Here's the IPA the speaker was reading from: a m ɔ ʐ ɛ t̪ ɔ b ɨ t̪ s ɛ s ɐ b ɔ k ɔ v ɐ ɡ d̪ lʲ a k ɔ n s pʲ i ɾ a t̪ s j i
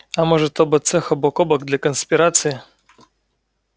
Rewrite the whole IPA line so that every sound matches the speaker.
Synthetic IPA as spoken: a m ɔ ʐ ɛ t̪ ɔ b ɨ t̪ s ɛ x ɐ b ɔ k ɔ b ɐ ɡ d̪ lʲ a k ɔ n s pʲ i ɾ a t̪ s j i